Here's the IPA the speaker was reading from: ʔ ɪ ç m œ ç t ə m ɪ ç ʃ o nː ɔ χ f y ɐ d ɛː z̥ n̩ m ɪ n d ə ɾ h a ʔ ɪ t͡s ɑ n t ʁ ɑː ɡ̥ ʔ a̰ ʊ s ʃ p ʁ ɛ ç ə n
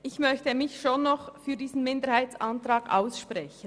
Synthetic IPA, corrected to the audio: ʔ ɪ ç m œ ç t ə m ɪ ç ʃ o nː ɔ χ f yː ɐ d iː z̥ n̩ m ɪ n d ə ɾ h a ɪ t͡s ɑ n t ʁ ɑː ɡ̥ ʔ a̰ ʊ s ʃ p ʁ ɛ ç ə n